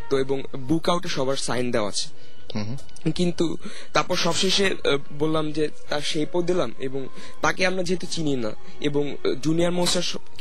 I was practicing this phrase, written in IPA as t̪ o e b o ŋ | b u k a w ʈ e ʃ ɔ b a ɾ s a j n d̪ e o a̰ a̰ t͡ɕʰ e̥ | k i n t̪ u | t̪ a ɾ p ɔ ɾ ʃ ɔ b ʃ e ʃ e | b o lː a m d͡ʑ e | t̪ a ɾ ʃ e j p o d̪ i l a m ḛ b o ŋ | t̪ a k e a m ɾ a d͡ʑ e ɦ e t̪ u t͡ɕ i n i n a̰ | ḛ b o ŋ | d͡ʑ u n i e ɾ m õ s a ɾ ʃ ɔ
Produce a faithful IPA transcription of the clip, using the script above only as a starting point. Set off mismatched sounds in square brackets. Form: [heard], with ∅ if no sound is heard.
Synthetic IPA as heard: t̪ o e b o ŋ | b u k a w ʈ e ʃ ɔ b a ɾ s a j n d̪ e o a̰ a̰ t͡ɕʰ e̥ | k i n t̪ u | t̪ a ɾ p ɔ ɾ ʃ ɔ b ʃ e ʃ e | b o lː a m d͡ʑ e | t̪ a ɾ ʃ e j p o d̪ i l a m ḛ b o ŋ | t̪ a k e a m ɾ a d͡ʑ e ɦ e t̪ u t͡ɕ i n i n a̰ | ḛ b o ŋ | d͡ʑ u n i [a] ɾ m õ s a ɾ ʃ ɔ